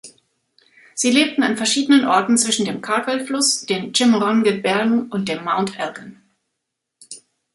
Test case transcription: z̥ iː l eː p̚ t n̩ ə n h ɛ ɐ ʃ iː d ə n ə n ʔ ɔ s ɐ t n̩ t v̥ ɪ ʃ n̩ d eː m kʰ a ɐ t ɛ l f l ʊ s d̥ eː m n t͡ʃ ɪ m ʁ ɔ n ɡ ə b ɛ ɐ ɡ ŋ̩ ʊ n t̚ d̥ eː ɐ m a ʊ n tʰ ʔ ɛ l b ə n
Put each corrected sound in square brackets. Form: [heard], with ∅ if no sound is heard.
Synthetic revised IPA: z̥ iː l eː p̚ t n̩ [a] n [f] ɛ ɐ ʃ iː d ə n ə n ʔ ɔ [∅] ɐ t n̩ [t͡s] v̥ ɪ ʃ n̩ d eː m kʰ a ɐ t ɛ l f l ʊ s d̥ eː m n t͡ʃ ɪ m ʁ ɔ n ɡ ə b ɛ ɐ ɡ ŋ̩ ʊ n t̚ d̥ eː ɐ m a ʊ n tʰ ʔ ɛ l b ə n